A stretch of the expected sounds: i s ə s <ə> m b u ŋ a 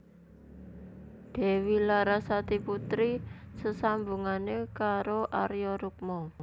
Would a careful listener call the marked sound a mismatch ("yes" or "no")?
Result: yes